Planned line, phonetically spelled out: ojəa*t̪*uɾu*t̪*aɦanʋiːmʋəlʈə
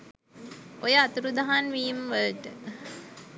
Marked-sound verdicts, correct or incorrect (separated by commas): correct, incorrect